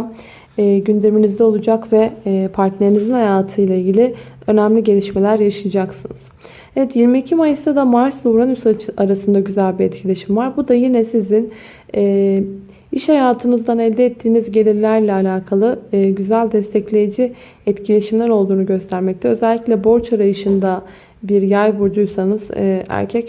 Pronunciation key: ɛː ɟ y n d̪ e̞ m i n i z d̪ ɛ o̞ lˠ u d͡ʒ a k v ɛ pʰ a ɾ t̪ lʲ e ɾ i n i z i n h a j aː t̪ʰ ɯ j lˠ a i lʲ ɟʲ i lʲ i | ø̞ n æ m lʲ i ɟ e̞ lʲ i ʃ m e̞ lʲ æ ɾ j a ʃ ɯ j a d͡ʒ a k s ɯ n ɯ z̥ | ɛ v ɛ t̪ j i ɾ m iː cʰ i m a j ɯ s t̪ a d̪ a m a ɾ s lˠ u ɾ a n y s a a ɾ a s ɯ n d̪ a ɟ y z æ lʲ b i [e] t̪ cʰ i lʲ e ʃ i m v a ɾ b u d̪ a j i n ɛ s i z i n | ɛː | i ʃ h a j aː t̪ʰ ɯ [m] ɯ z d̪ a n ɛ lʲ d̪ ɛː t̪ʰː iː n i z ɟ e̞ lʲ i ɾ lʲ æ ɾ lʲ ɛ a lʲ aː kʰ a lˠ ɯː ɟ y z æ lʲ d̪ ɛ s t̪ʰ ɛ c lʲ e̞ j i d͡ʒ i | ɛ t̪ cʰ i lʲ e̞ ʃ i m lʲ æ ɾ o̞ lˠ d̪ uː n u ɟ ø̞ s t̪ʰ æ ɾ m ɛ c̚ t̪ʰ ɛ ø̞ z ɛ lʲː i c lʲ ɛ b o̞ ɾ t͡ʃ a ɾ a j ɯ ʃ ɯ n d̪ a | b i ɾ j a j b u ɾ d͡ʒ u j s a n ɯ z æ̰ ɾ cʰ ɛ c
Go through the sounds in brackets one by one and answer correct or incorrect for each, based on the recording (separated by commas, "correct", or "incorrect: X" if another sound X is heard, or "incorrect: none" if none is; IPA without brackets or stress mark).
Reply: incorrect: ɛ, incorrect: n